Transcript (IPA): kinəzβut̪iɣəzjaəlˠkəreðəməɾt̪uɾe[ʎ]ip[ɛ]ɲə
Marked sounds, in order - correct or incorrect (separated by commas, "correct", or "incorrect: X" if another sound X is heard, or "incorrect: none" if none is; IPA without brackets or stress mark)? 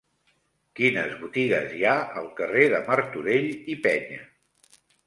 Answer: correct, correct